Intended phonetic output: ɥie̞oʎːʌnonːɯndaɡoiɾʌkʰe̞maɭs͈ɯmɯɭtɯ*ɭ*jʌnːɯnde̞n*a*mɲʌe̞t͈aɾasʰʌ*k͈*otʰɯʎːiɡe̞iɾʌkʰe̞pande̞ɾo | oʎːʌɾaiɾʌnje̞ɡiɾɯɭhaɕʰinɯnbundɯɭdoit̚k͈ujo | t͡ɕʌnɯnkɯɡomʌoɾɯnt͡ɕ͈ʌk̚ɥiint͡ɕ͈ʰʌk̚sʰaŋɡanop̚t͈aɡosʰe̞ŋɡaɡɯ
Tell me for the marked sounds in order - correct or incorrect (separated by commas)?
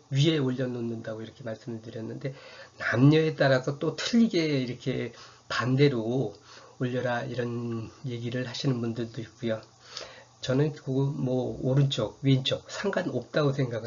incorrect, correct, incorrect